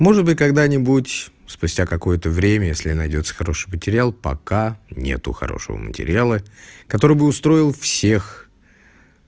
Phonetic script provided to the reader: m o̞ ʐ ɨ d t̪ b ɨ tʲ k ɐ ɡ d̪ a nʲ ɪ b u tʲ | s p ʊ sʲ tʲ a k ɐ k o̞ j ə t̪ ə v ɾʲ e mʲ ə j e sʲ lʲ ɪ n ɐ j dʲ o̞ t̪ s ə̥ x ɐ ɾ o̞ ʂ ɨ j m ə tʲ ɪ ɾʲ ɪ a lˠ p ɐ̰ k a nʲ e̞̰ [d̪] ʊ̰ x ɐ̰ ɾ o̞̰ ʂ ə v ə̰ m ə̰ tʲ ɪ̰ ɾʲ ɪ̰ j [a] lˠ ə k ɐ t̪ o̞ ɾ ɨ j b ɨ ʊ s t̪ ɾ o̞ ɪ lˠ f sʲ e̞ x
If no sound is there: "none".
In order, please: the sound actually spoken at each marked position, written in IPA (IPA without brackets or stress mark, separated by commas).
t̪, a